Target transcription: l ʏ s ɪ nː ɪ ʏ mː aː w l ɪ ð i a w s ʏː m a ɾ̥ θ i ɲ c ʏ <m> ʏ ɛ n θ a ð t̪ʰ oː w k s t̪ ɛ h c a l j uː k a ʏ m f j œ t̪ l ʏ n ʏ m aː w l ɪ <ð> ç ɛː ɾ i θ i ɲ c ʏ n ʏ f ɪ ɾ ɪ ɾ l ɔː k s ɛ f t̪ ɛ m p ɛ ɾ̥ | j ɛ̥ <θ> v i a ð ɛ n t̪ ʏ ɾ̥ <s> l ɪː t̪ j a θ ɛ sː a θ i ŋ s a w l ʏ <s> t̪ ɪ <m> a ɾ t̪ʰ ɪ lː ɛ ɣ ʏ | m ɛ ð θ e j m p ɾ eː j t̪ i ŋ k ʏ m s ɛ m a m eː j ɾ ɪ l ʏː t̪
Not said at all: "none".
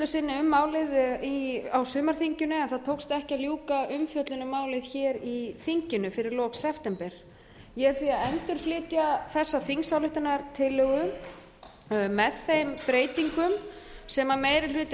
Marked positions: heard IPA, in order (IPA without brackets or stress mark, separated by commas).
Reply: n, ð, θ, f, h, n